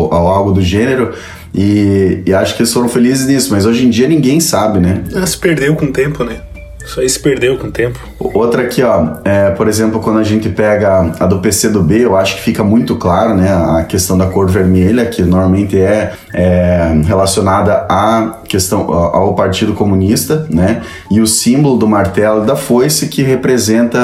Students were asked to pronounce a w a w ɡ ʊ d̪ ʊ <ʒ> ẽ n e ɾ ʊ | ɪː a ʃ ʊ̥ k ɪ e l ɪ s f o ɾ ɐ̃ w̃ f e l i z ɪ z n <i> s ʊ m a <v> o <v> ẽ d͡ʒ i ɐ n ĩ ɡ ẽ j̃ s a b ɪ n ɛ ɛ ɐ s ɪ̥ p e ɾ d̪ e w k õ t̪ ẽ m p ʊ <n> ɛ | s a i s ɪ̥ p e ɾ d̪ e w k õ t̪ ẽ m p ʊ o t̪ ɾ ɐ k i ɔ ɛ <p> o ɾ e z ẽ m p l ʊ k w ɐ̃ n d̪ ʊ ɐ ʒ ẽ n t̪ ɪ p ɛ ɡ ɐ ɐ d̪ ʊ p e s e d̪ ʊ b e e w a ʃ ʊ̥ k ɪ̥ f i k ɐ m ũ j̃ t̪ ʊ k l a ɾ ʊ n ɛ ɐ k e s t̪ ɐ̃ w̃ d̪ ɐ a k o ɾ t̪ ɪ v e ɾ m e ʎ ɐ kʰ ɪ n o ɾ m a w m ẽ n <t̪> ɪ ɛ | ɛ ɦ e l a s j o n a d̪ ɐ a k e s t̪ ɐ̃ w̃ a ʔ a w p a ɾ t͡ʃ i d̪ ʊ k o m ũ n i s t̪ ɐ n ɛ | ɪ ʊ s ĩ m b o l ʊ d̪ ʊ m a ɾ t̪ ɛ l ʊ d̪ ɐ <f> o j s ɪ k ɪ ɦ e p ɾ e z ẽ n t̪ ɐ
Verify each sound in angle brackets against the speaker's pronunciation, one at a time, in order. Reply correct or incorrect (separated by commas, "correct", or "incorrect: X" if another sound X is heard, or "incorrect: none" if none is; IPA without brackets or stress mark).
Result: correct, correct, incorrect: z, incorrect: ʒ, correct, correct, correct, correct